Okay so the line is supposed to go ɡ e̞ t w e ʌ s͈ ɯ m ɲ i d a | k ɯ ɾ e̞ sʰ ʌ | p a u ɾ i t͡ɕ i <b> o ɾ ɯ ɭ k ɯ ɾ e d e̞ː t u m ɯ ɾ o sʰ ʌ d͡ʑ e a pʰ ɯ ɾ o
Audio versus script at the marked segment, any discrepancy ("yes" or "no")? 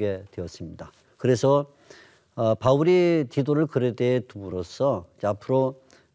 yes